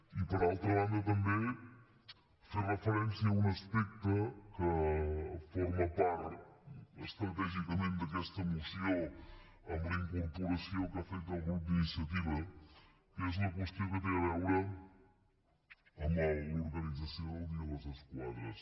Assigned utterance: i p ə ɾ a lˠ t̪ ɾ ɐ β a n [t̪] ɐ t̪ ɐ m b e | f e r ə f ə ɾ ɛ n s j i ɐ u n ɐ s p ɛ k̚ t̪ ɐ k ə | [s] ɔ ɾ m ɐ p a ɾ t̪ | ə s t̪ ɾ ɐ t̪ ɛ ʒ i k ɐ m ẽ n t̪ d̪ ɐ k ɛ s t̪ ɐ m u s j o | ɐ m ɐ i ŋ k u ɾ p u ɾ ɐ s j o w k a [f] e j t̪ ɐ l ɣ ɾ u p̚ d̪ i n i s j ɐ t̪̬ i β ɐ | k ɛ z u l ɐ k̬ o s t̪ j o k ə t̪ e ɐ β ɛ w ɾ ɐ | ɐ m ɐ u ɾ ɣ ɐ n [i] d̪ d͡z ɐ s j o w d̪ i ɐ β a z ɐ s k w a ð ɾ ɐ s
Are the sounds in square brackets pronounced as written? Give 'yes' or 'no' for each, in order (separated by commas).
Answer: no, no, yes, yes